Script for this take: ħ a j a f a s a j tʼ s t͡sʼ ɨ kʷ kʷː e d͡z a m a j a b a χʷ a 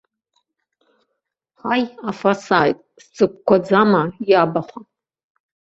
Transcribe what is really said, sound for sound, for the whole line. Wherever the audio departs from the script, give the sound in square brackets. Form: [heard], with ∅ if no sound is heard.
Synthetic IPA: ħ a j a f a s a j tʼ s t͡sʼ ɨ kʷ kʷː [a] d͡z a m a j a b a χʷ a